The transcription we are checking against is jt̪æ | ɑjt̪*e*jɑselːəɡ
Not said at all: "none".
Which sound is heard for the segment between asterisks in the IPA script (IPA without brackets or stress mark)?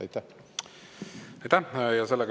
æ